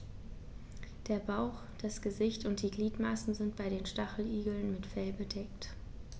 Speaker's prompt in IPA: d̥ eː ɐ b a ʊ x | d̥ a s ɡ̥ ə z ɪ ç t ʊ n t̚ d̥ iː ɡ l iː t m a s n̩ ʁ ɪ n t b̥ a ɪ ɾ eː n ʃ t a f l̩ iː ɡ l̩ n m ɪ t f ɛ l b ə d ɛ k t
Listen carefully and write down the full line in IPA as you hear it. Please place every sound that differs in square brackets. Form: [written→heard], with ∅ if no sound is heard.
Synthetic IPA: d̥ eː ɐ b a ʊ x | d̥ a s ɡ̥ ə z ɪ ç t ʊ n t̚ d̥ iː ɡ l iː t m a s n̩ [ʁ→z] ɪ n t b̥ a ɪ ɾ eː n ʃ t a [f→χ] l̩ iː ɡ l̩ n m ɪ t f ɛ l b ə d ɛ k t

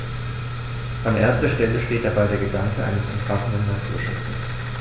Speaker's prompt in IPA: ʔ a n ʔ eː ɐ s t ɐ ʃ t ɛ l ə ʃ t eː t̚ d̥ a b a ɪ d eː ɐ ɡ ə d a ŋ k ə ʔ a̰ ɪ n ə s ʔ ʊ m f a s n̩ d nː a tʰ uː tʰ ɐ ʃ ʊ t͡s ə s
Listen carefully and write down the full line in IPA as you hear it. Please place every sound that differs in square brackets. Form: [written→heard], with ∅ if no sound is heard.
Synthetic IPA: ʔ a n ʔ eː ɐ s t ɐ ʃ t ɛ l ə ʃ t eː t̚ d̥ a b a ɪ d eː ɐ ɡ ə d a ŋ k ə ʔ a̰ ɪ n ə s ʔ ʊ m f a s n̩ d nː a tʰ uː [tʰ→∅] ɐ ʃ ʊ t͡s ə s

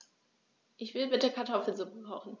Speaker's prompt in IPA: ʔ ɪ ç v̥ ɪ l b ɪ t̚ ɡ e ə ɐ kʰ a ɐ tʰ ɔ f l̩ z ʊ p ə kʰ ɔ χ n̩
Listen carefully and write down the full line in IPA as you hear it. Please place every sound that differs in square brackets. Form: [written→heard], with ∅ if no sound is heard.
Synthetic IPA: ʔ ɪ ç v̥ ɪ l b ɪ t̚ [ɡ→d] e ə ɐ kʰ a ɐ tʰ ɔ f l̩ z ʊ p ə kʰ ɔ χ n̩

